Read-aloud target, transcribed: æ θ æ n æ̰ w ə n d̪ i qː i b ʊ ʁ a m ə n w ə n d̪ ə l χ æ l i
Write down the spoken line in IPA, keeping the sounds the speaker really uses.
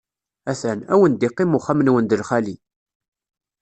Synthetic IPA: æ θ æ n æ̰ w ə n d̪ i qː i m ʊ χ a m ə n w ə n d̪ ə l χ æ l i